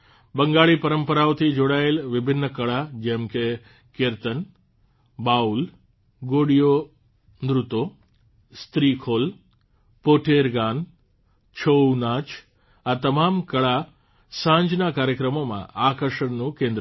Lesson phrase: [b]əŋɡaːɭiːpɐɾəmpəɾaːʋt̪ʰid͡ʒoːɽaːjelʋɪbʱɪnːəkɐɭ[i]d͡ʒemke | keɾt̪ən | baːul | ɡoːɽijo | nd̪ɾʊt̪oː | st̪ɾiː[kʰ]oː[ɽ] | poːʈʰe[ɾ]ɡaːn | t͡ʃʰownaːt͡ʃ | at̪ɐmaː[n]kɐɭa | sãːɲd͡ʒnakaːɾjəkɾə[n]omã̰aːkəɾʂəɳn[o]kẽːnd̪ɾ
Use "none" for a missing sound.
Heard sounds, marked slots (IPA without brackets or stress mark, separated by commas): b, a, kʰ, l, ɾ, m, m, u